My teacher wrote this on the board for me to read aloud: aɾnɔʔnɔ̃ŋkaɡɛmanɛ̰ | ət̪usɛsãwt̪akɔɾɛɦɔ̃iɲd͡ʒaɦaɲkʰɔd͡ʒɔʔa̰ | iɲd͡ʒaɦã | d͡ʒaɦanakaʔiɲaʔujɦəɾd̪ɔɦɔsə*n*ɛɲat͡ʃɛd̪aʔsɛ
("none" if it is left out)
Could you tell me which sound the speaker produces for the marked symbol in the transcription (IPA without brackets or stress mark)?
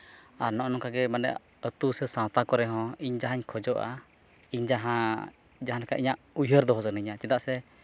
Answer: n